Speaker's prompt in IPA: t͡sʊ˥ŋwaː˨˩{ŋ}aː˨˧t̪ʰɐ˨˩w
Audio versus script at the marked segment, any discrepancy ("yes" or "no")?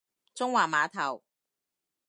yes